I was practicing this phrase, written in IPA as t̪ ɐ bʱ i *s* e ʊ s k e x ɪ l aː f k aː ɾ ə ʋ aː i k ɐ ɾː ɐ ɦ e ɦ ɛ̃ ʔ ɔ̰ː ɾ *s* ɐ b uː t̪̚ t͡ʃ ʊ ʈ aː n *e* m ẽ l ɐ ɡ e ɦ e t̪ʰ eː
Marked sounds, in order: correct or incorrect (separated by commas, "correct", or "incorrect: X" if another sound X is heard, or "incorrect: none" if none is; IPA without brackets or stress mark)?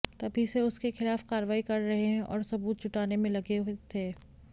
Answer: correct, correct, correct